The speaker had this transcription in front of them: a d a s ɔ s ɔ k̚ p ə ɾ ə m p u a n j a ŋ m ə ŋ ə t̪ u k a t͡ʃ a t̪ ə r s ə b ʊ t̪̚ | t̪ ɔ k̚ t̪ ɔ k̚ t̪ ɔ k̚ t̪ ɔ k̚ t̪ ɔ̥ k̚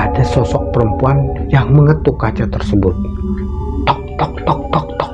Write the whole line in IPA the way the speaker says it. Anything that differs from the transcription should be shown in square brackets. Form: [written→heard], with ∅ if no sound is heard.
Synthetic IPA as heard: a d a s ɔ s ɔ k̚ p ə ɾ ə m p u a n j a ŋ m ə ŋ ə t̪ u k a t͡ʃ a t̪ ə r s ə b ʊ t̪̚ | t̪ ɔ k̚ t̪ ɔ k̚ t̪ ɔ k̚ t̪ ɔ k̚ t̪ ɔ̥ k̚